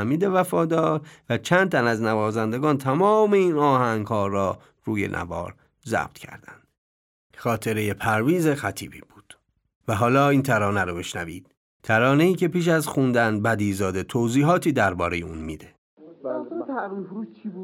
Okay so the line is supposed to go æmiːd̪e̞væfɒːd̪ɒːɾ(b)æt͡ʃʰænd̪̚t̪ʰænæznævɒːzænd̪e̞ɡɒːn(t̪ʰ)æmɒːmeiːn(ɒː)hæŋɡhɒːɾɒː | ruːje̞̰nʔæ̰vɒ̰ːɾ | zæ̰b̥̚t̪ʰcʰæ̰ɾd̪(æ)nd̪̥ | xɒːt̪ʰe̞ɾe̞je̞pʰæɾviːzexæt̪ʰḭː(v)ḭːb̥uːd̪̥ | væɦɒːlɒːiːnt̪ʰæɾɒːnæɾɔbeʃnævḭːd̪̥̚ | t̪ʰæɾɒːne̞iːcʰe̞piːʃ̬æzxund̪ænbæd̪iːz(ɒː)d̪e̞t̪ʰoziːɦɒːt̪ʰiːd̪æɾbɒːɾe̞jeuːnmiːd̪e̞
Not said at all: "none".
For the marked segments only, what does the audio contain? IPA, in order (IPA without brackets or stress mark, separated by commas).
v, t̪ʰ, ɒː, æ, b, ɒː